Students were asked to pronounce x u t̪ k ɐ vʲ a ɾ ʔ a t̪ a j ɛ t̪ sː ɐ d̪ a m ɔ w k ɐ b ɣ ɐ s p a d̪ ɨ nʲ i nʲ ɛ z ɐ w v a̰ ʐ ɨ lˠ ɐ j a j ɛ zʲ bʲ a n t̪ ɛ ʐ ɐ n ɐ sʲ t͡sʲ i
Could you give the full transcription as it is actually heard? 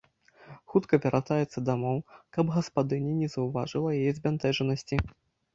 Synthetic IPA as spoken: x u t̪ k ɐ vʲ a ɾ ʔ a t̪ a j ɛ t̪ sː ɐ d̪ a m ɔ w k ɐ b ɣ ɐ s p a d̪ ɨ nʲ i nʲ ɛ z ɐ w v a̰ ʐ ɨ lˠ ɐ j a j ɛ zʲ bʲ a n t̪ ɛ ʐ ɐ n ɐ sʲ t͡sʲ i